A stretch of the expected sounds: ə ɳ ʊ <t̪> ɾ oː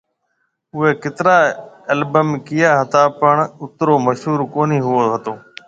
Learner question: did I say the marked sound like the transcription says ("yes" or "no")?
yes